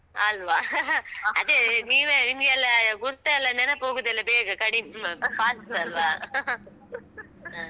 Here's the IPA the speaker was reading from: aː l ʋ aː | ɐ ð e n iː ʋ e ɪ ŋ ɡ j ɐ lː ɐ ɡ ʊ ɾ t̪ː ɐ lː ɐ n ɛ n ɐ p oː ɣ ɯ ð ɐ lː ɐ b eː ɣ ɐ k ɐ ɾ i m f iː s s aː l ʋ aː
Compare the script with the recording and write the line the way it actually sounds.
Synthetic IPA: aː l ʋ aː | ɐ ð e n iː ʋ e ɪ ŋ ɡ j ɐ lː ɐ ɡ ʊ ɾ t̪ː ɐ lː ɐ n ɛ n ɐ p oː ɣ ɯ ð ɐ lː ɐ b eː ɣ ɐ k ɐ ɽ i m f aː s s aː l ʋ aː